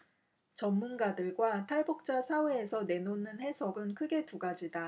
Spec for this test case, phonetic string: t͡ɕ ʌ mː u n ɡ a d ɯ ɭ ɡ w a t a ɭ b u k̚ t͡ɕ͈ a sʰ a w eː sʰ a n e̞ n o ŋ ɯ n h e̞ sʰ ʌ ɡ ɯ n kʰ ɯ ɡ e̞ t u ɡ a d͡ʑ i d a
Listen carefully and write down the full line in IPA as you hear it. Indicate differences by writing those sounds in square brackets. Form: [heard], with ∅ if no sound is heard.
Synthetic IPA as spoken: t͡ɕ ʌ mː u n ɡ a d ɯ ɭ ɡ w a [tʰ] a ɭ b u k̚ t͡ɕ͈ a sʰ a w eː sʰ [ʌ] n e̞ n o [n] ɯ n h e̞ sʰ ʌ ɡ ɯ n kʰ ɯ ɡ e̞ t u ɡ a d͡ʑ i d a